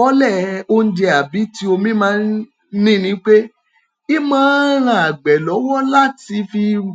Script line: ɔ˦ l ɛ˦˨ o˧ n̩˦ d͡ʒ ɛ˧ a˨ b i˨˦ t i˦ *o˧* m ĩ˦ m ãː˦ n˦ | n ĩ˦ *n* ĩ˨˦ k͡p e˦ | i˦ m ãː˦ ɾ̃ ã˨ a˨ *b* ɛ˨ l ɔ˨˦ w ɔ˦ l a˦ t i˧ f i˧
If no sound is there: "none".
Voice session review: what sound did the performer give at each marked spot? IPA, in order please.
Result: o˧, n, ɡ͡b

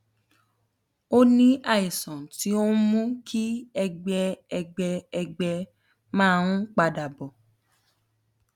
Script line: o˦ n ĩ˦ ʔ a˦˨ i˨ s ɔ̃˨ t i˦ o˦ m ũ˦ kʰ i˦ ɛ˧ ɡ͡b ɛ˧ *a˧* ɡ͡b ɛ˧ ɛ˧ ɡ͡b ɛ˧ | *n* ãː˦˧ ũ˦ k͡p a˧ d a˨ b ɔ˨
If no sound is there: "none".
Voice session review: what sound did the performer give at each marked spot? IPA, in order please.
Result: ɛ˧, m

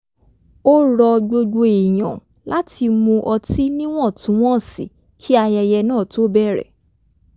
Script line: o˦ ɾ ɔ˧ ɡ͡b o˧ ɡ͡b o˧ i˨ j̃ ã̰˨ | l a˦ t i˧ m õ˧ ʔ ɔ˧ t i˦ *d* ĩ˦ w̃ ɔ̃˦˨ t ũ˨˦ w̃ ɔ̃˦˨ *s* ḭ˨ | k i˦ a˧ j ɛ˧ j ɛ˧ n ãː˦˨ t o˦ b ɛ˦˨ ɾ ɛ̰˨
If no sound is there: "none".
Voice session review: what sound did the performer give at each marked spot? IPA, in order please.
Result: n, s

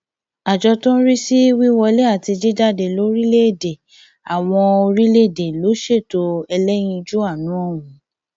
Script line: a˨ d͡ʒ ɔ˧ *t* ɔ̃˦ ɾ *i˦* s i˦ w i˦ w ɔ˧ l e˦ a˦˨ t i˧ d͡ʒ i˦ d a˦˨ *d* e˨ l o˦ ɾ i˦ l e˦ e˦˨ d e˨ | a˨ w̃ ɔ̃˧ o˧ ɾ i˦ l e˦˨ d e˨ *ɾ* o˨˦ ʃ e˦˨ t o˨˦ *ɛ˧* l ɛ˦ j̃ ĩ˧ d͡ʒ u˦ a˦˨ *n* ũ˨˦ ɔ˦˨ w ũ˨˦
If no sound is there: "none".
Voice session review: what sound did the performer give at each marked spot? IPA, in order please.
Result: t, i˦, d, l, ɛ˧, n

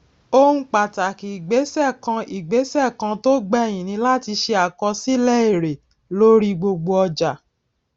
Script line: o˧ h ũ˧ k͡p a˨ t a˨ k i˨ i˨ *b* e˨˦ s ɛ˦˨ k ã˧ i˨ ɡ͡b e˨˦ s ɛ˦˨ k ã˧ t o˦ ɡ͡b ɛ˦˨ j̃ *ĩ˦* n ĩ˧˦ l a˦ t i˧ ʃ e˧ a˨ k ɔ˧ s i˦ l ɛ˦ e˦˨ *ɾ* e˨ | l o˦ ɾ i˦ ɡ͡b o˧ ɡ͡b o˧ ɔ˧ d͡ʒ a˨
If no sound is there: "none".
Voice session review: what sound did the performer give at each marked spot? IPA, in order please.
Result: ɡ͡b, ĩ˨, ɾ

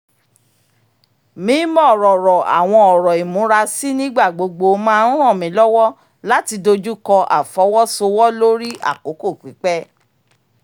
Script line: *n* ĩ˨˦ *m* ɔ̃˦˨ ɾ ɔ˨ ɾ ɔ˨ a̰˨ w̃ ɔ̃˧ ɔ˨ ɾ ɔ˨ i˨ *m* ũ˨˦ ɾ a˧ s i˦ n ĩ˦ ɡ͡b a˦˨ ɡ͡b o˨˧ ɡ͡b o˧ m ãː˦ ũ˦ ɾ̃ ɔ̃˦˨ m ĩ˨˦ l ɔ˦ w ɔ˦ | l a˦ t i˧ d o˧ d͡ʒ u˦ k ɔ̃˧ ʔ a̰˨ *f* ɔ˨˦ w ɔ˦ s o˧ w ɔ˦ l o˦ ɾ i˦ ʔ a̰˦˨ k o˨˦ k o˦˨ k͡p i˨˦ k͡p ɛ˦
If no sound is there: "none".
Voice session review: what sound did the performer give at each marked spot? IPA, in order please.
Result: m, m, m, f

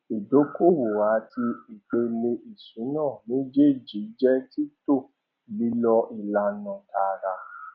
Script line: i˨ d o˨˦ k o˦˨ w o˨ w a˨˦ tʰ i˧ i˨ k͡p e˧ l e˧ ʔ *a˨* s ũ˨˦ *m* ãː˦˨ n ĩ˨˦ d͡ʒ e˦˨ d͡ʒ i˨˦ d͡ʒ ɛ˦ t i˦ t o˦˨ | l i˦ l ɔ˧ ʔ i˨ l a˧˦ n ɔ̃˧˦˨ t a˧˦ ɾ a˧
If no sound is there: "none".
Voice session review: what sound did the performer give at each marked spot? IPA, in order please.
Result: i˨, n

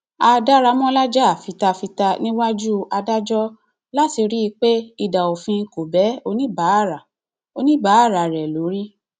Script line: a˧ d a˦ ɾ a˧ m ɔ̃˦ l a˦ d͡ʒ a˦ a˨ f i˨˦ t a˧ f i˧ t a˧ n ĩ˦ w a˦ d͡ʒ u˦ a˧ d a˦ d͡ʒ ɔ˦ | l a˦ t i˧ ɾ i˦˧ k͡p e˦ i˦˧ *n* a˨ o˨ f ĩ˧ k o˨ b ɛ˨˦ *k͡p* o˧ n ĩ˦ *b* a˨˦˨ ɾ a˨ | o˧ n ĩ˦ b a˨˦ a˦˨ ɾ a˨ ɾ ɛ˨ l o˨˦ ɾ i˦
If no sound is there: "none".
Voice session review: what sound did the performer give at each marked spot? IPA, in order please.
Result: d, none, b

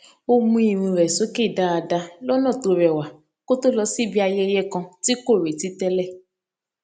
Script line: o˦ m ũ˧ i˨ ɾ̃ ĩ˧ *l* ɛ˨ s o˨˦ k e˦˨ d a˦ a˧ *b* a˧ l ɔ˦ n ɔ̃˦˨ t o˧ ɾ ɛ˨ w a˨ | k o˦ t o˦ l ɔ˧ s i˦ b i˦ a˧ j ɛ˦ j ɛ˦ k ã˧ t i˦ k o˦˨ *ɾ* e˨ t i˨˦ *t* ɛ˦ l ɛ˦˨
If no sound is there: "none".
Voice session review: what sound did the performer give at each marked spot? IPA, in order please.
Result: ɾ, d, ɾ, t

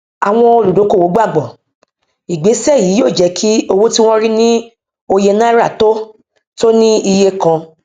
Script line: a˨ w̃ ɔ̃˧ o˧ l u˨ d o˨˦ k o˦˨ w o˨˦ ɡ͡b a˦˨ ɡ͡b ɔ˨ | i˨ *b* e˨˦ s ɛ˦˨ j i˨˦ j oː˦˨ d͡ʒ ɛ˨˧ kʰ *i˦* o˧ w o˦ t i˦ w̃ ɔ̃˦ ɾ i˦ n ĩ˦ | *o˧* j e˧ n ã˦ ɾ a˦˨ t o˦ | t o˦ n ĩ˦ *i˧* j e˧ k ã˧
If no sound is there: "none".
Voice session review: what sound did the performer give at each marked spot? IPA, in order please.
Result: ɡ͡b, i˦, o˧, i˧

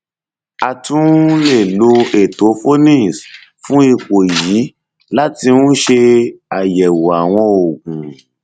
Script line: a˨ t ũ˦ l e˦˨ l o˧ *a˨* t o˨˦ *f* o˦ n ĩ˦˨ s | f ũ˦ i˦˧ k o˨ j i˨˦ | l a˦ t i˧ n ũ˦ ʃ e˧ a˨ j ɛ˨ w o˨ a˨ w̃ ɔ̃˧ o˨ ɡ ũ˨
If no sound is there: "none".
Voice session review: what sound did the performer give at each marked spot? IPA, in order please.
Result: e˨, f

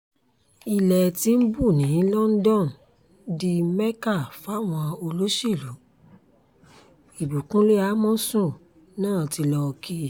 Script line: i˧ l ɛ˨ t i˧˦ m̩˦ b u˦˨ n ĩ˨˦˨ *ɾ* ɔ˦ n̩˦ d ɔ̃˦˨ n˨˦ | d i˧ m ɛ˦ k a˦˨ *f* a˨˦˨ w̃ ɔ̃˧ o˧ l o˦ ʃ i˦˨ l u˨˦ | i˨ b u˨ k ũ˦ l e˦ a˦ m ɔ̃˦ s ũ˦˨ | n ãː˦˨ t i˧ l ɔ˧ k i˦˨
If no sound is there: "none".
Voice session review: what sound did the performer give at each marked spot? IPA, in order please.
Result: l, f

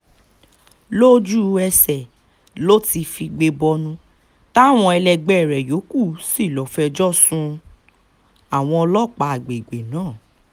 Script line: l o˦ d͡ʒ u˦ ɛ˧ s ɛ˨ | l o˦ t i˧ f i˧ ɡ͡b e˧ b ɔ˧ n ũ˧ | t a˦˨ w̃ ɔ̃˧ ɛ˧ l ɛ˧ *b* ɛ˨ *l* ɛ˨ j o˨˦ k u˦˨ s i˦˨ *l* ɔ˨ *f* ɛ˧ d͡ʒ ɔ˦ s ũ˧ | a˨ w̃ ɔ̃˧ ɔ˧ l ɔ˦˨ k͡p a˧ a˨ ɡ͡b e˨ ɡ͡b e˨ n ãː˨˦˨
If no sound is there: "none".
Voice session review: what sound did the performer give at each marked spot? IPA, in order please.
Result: ɡ͡b, ɾ, l, f

